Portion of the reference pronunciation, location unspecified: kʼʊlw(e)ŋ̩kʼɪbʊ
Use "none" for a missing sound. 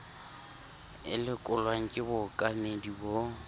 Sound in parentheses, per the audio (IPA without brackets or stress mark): a